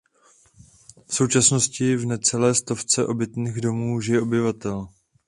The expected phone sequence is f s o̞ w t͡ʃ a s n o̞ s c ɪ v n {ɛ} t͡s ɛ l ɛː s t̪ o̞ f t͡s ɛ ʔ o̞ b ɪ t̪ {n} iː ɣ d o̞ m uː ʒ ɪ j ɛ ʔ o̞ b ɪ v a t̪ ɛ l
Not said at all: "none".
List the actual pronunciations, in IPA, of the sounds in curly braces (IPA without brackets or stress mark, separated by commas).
ɛ, n